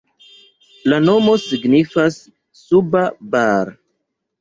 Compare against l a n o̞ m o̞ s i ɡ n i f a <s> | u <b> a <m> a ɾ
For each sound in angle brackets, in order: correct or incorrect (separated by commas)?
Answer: incorrect, correct, incorrect